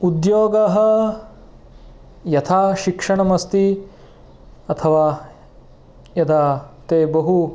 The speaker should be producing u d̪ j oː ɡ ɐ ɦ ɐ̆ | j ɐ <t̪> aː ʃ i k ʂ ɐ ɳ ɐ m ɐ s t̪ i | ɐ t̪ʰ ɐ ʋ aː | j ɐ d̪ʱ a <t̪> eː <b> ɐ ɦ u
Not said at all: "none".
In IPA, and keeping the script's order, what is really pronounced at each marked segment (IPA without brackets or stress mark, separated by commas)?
t̪ʰ, t̪, b